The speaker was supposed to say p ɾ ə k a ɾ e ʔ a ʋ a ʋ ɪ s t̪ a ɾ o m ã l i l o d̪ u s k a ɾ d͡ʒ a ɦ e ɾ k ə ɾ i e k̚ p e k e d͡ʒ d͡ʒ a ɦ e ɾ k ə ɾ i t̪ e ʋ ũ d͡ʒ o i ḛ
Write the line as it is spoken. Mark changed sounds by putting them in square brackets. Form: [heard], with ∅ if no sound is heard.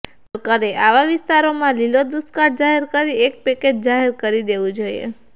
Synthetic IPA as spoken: p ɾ ə k a ɾ e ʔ a ʋ a ʋ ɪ s t̪ a ɾ o m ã l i l o d̪ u s k a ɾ d͡ʒ a ɦ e ɾ k ə ɾ i e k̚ p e k e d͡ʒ d͡ʒ a ɦ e ɾ k ə ɾ i [d̪] e ʋ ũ d͡ʒ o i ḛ